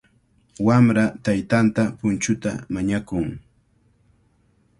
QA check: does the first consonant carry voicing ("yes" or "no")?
yes